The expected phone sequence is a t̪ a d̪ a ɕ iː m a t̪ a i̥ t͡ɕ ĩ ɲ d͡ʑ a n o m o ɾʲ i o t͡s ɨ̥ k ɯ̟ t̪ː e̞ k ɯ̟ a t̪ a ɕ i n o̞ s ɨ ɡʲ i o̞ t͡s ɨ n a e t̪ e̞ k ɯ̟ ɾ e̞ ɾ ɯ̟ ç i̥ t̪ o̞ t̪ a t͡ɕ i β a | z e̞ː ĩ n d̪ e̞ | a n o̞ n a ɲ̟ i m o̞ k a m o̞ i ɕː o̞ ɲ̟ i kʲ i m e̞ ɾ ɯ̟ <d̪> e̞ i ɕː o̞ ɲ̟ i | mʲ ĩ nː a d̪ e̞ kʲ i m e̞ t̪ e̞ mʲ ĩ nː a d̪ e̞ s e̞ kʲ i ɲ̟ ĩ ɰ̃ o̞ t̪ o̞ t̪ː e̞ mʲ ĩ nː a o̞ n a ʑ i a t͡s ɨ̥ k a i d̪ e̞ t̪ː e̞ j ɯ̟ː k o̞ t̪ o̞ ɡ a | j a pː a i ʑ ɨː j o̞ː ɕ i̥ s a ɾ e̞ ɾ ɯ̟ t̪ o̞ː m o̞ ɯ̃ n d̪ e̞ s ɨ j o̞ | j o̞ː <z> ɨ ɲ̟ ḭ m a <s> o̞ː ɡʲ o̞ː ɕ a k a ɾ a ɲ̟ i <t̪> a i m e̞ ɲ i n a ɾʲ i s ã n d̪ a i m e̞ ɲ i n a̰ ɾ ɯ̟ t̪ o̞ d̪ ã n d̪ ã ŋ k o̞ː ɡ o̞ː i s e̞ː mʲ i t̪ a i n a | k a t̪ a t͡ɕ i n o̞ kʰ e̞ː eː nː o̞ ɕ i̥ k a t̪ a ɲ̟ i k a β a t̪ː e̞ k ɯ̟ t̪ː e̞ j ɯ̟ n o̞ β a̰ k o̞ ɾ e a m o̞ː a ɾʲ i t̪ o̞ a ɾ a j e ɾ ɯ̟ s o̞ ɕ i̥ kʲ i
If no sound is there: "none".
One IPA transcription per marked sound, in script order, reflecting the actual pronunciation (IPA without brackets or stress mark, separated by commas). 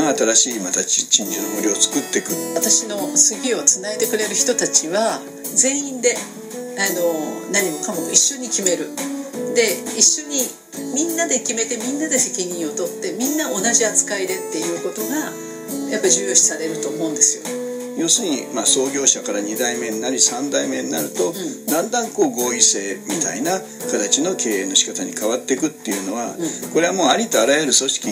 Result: d̪, s, s, d̪